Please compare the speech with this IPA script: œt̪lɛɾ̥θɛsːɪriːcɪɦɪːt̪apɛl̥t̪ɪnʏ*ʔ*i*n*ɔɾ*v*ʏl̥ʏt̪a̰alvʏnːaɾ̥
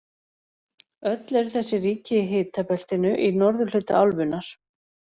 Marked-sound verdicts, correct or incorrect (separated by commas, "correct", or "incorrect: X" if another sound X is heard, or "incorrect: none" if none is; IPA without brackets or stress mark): correct, correct, incorrect: ð